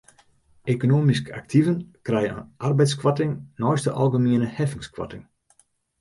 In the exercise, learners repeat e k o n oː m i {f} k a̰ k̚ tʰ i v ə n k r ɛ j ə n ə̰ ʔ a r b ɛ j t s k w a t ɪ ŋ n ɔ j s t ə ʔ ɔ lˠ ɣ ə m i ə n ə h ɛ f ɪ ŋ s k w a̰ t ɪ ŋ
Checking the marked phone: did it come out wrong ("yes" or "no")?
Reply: yes